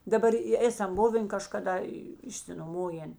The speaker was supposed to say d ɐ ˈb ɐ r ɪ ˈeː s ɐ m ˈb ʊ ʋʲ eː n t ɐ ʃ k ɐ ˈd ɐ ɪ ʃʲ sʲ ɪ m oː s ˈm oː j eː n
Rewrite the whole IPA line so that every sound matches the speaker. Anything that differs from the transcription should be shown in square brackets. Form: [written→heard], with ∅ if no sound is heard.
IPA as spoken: d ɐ ˈb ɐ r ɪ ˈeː s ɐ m ˈb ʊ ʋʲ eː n [t→k] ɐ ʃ k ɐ ˈd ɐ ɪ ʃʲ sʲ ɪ [m→n] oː [s→∅] ˈm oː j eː n